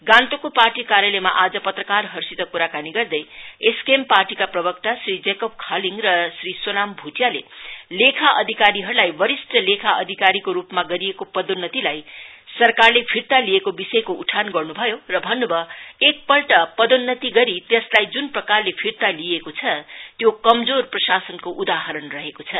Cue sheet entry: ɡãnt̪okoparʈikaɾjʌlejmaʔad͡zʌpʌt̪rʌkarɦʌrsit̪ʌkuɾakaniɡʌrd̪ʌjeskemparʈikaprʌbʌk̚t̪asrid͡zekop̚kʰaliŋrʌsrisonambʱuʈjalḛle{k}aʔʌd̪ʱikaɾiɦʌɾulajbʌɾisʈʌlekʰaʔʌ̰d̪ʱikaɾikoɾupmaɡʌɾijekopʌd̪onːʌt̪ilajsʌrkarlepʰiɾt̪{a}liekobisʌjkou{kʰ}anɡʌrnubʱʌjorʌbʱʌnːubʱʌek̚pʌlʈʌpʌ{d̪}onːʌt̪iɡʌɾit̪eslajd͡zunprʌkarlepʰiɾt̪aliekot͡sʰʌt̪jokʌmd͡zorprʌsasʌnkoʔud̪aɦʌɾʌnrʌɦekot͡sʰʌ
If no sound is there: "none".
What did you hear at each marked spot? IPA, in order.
kʰ, a, ʈʰ, d̪

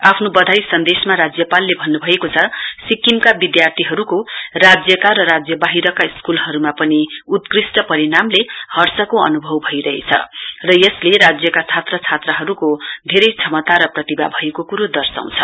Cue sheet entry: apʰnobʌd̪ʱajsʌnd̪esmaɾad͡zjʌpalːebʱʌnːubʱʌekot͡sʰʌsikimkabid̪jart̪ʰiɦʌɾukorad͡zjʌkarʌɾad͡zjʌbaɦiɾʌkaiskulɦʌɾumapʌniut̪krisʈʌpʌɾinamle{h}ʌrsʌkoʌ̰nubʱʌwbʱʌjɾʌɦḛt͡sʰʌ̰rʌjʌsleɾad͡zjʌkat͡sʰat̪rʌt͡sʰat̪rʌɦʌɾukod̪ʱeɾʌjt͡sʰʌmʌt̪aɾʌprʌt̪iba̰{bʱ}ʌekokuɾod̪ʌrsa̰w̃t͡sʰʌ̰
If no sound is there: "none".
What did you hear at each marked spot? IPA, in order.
h, bʱ

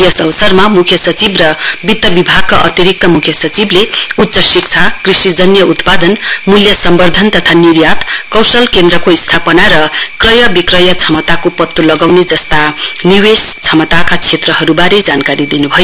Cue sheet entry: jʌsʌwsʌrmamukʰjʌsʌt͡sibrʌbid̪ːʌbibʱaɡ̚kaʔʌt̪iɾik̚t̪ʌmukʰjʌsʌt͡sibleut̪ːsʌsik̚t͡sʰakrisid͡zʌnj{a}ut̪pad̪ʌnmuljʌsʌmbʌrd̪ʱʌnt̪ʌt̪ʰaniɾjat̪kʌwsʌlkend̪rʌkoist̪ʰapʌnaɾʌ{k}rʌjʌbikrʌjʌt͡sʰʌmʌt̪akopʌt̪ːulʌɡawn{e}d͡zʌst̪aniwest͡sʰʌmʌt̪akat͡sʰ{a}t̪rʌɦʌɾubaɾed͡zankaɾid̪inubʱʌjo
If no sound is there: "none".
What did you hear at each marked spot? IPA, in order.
ʌ, k, e, e

